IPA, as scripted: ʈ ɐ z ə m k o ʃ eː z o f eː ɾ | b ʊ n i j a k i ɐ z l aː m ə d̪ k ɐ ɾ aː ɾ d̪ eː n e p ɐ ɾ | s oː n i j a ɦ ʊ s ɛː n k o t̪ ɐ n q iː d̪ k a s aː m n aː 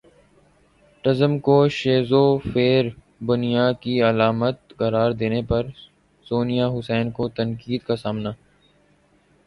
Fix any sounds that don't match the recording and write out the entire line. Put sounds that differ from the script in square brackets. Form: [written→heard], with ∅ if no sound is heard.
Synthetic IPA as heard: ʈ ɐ z ə m k o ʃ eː z o f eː ɾ | b ʊ n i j a k i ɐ [z→∅] l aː m ə [d̪→t̪] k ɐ ɾ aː ɾ d̪ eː n e p ɐ ɾ | s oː n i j a ɦ ʊ s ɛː n k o t̪ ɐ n [q→k] iː d̪ k a s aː m n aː